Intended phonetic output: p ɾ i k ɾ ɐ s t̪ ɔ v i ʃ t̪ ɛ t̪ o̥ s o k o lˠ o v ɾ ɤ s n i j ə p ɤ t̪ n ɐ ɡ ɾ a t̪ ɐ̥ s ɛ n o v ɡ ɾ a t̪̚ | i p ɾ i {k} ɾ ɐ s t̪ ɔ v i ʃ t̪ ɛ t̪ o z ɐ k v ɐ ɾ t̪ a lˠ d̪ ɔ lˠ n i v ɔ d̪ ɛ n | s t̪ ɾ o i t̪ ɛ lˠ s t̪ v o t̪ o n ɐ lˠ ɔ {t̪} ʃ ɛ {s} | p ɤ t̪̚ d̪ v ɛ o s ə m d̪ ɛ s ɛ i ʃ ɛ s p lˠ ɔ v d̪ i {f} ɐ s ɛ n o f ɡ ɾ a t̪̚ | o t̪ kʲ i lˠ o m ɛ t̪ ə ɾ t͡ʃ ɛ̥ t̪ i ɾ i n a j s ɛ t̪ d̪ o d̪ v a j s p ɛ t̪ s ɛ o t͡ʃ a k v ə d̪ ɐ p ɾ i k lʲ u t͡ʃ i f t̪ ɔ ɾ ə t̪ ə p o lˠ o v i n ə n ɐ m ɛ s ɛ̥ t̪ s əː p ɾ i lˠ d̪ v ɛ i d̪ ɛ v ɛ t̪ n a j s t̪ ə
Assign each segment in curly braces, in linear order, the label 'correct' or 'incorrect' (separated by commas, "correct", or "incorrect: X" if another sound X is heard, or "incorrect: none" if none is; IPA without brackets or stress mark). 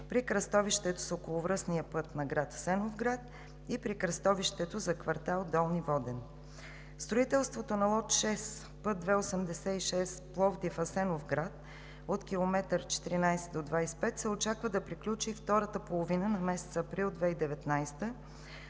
correct, correct, correct, correct